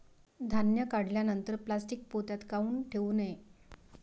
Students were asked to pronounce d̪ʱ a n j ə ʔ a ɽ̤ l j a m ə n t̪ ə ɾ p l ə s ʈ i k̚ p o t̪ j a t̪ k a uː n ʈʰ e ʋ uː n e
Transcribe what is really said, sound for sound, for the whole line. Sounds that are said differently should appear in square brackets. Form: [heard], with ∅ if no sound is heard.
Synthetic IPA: d̪ʱ a n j ə [k] a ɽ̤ l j a [n] ə n t̪ ə ɾ p l [a] s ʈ i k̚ p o t̪ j a t̪ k a uː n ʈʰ e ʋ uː n e